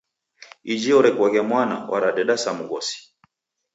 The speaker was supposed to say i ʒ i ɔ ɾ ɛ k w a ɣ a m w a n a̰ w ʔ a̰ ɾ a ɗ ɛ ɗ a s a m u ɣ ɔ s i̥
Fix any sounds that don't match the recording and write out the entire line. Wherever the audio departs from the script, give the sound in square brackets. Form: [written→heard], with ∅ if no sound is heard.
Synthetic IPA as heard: i [ʒ→d͡ʒ] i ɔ ɾ ɛ k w a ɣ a m w a n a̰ w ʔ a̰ ɾ a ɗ ɛ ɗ a s a m u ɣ ɔ s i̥